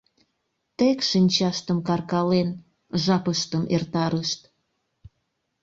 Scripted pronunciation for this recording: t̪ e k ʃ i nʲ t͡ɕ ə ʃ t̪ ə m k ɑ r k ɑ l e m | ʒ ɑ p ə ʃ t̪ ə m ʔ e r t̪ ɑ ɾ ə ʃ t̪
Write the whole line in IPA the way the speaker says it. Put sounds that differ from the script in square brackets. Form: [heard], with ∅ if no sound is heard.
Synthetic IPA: t̪ e k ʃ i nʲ t͡ɕ [ɑ] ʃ t̪ ə m k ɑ r k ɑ l e [n] | ʒ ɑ p ə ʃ t̪ ə m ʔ e r t̪ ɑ ɾ ə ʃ t̪

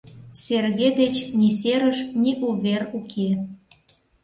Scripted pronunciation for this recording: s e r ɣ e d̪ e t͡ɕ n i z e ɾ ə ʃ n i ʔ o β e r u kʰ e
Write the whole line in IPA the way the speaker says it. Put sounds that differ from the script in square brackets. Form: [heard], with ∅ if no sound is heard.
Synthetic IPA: s e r ɣ e d̪ e t͡ɕ n i [s] e ɾ ə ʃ n i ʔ [u] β e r u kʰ e

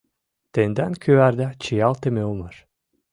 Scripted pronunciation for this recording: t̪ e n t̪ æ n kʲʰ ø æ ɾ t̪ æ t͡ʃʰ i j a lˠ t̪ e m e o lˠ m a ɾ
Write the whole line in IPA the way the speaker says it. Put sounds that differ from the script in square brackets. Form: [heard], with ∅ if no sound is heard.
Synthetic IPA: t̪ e n [d̪] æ n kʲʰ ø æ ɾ [d̪] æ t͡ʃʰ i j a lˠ t̪ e m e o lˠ m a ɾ

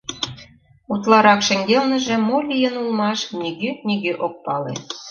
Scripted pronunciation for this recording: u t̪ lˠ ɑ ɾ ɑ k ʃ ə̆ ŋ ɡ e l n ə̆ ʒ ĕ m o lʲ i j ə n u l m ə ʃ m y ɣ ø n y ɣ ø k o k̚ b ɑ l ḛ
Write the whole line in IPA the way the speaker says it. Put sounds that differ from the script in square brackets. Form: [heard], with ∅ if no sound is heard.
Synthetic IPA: u t̪ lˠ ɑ ɾ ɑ k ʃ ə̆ ŋ ɡ e l n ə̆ ʒ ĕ m o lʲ i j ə n u l m [ɑ] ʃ [n] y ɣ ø n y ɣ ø [ʔ] o k̚ [p] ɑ l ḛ

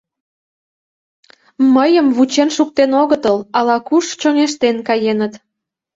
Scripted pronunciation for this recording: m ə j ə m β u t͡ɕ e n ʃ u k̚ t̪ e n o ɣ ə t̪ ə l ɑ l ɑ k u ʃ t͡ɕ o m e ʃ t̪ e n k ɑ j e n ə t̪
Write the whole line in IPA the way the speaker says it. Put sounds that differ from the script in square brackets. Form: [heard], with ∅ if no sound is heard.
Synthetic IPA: m ə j ə m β u t͡ɕ e n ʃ u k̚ t̪ e n o ɣ ə t̪ ə l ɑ l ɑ k u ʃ t͡ɕ o [ŋ] e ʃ t̪ e n k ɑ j e n ə t̪

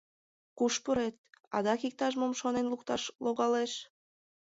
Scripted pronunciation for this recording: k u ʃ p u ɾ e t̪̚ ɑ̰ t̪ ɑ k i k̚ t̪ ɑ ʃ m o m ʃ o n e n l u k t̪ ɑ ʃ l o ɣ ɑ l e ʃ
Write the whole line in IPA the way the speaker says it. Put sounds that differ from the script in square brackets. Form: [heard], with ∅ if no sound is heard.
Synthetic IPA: k u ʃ p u ɾ e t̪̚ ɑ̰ [d̪] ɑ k i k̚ t̪ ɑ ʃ m o m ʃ o n e n l u k t̪ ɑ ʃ l o ɣ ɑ l e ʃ

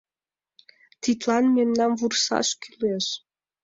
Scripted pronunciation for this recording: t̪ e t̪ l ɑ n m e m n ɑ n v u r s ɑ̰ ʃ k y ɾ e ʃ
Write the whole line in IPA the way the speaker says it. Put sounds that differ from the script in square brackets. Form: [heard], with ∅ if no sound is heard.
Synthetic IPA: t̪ [i] t̪ l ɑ n m e m n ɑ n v u r s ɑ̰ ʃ k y [l] e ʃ

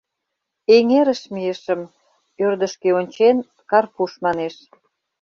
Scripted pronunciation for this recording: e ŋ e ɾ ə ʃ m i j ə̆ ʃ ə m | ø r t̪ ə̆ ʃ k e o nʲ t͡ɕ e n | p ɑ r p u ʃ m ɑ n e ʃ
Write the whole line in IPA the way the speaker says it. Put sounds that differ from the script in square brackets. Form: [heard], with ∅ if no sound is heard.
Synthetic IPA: e ŋ e ɾ ə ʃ m i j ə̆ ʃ ə m | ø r [d̪] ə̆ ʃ k e o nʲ t͡ɕ e n | [k] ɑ r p u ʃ m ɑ n e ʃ

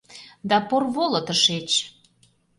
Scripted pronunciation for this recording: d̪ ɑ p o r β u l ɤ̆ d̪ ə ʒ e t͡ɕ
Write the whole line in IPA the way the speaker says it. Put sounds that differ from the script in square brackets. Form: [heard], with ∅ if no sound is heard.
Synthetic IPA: d̪ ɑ p o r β [o] l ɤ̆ [t̪] ə [ʃ] e t͡ɕ

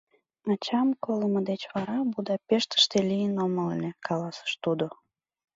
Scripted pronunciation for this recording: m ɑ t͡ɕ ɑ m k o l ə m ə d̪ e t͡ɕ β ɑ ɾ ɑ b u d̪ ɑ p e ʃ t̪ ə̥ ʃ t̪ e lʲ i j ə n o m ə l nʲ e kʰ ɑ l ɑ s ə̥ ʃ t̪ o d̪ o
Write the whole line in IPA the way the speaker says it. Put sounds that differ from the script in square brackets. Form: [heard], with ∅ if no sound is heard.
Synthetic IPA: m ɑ t͡ɕ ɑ m k o l ə m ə d̪ e t͡ɕ β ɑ ɾ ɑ b u d̪ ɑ p e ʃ t̪ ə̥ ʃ t̪ e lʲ i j ə n o m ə l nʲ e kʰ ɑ l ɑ s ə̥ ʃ t̪ [u] d̪ o

